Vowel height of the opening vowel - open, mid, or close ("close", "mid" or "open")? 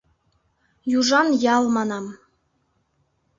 close